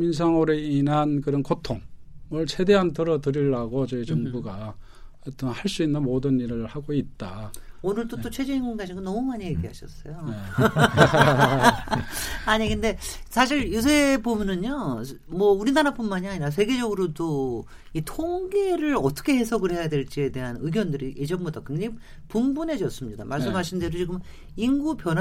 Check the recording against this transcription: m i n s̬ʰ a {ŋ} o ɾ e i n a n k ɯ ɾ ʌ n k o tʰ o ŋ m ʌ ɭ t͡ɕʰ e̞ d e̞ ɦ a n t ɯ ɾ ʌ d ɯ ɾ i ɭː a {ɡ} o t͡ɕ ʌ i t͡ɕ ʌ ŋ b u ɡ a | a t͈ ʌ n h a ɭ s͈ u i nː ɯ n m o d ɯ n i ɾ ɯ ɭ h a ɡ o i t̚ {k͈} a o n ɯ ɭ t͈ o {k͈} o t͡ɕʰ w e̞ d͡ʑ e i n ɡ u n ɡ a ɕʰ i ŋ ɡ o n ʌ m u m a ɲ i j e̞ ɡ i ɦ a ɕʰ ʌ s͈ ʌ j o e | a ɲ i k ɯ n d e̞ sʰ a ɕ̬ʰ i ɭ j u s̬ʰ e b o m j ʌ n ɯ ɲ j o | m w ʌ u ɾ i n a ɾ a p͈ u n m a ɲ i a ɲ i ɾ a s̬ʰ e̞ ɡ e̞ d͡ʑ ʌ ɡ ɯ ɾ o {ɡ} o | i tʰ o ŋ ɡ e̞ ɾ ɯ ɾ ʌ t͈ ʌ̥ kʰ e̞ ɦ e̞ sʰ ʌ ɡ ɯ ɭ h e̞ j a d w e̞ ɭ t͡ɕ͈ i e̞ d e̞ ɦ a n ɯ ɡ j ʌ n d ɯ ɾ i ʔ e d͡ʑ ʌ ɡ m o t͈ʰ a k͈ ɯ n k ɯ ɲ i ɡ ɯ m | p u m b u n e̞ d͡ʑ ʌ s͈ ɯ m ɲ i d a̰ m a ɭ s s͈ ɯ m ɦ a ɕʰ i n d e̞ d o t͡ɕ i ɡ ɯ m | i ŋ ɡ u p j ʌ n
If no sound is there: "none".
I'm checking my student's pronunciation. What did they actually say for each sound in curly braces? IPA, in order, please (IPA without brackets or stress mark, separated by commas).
ŋ, ɡ, t͈, t͈, d